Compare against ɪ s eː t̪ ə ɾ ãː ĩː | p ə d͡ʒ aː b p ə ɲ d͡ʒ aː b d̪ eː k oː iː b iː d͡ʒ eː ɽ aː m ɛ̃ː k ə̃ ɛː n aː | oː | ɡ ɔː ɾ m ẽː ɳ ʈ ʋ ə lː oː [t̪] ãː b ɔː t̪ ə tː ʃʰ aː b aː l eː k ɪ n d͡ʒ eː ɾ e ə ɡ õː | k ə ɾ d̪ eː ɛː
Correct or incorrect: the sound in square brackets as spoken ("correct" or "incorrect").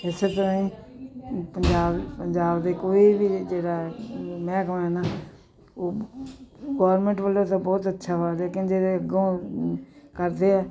correct